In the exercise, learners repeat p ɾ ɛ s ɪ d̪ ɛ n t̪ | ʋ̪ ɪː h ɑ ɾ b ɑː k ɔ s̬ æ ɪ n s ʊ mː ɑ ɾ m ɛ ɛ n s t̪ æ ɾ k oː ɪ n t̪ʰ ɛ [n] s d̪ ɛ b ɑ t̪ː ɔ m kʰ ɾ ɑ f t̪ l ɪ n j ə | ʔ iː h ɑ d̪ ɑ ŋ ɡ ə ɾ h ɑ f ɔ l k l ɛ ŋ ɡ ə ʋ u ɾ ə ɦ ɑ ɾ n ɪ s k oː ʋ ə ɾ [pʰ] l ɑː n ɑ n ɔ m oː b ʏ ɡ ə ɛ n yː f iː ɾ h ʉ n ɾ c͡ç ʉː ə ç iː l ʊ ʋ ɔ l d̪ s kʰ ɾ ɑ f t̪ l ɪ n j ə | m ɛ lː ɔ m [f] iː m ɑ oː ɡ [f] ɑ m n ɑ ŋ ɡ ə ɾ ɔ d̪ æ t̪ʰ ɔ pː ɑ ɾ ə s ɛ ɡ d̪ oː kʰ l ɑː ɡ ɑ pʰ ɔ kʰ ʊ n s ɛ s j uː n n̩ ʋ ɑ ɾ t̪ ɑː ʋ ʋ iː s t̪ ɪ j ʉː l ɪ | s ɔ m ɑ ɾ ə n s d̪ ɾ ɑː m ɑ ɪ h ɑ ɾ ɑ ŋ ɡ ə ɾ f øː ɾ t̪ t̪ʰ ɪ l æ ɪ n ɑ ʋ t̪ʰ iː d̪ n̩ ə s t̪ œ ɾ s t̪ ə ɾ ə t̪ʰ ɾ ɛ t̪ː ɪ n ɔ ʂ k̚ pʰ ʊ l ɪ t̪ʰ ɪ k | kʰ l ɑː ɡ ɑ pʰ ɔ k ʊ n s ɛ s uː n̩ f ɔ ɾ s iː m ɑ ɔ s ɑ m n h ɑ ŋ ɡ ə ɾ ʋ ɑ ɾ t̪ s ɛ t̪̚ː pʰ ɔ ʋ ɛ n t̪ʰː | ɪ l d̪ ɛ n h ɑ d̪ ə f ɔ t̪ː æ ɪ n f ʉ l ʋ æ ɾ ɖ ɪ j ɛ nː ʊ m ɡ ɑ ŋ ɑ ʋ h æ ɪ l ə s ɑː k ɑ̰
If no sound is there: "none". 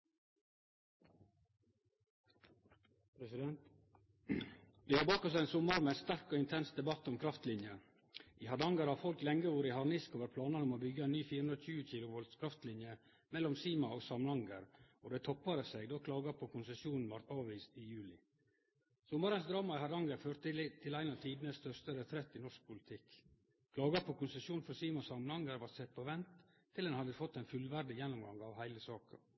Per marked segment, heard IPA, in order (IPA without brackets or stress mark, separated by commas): n, pʰ, s, s